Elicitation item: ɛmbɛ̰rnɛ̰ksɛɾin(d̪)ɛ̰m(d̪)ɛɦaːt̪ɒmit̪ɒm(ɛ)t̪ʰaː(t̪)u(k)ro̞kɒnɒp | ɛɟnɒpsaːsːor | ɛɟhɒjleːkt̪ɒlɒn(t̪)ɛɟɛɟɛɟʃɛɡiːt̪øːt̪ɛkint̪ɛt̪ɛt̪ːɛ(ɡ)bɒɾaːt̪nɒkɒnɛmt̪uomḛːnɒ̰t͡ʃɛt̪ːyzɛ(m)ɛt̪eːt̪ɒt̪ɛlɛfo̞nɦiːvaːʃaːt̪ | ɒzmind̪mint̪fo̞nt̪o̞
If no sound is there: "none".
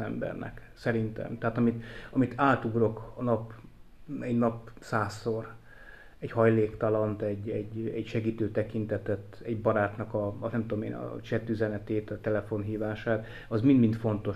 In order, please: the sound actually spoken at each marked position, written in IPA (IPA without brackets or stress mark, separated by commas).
t̪, t̪, i, t̪, ɡ, t̪, ɟ, n